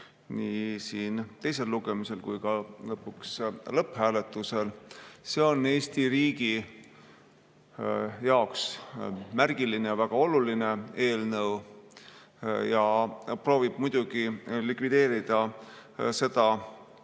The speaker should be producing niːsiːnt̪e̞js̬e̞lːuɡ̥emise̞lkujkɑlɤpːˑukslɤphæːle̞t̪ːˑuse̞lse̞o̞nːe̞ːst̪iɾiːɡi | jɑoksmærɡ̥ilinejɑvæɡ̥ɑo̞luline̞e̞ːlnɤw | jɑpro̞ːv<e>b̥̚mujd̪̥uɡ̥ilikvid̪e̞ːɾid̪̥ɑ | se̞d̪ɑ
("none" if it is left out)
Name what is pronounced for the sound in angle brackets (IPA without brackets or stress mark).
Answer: i